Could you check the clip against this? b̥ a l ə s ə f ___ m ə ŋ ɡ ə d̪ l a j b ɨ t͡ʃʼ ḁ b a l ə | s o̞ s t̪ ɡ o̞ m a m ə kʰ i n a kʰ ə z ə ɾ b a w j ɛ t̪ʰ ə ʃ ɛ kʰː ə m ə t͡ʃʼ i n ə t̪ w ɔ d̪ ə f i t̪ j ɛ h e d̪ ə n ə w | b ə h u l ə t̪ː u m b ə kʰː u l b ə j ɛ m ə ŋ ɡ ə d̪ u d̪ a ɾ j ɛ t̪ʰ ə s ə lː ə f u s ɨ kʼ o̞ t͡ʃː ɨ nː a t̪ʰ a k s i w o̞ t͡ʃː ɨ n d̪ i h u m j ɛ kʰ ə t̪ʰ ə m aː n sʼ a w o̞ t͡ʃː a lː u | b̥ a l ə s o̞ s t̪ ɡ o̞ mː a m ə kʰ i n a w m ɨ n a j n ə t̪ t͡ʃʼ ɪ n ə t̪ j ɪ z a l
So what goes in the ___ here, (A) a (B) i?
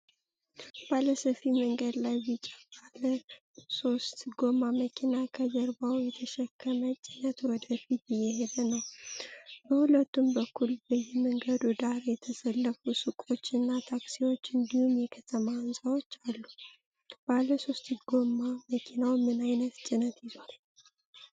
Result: B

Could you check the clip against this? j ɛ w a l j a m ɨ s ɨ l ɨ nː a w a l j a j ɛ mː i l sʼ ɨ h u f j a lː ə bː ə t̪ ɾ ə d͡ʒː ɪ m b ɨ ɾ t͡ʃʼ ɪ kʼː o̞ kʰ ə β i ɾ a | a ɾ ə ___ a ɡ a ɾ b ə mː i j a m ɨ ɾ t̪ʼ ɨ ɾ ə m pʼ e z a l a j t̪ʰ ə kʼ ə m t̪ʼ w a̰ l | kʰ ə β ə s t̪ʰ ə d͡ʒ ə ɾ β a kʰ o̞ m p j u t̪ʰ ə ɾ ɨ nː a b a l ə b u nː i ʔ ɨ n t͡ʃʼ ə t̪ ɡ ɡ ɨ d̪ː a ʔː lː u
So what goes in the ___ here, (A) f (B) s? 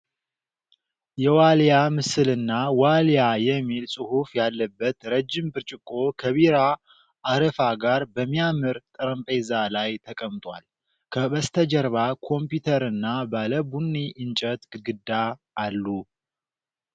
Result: A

